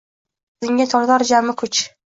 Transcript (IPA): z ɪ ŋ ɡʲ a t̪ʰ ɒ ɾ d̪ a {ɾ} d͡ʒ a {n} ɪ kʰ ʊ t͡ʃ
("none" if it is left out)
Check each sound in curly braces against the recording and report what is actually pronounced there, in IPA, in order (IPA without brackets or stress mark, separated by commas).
ɾ, m